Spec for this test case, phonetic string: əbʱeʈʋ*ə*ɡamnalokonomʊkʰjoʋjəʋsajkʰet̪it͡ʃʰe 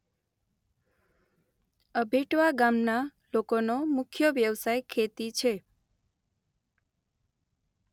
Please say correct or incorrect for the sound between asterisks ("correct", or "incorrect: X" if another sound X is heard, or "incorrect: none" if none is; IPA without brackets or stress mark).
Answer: incorrect: a